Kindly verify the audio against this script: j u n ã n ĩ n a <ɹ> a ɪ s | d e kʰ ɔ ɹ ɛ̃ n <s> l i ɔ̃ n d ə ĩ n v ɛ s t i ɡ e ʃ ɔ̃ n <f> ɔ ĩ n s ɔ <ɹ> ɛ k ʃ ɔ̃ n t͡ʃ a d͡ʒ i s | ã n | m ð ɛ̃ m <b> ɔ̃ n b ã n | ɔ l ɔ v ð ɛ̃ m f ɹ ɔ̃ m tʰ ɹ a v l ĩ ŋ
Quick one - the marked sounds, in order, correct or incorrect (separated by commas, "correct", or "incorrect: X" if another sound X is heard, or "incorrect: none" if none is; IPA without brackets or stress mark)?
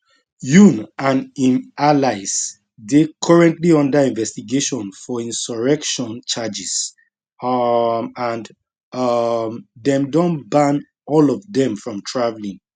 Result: incorrect: l, incorrect: t, correct, correct, incorrect: d